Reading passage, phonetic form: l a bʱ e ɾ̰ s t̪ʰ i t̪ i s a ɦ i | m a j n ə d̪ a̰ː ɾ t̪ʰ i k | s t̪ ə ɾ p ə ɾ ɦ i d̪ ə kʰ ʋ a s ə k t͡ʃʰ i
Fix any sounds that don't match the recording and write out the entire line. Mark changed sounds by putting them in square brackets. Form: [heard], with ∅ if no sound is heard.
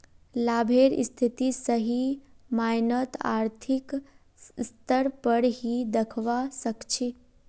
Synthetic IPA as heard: l a bʱ e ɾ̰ s t̪ʰ i t̪ i s [ə] ɦ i | m a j n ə [t̪] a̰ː ɾ t̪ʰ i k | s t̪ ə ɾ p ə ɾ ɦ i d̪ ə kʰ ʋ a s ə k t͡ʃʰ i